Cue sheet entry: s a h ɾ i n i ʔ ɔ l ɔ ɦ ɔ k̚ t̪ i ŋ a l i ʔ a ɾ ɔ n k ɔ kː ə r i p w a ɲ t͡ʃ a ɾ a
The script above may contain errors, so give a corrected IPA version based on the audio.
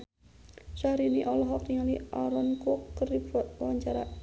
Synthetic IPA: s a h ɾ i n i ʔ ɔ l ɔ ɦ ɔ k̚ t̪ i ŋ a l i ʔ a ɾ ɔ n k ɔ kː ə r i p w a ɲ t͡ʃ a ɾ a